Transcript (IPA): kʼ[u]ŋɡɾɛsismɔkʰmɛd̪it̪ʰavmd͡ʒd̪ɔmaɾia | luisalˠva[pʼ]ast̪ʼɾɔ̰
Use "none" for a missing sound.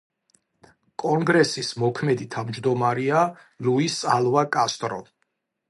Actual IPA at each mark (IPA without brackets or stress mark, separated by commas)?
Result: ɔ, kʼ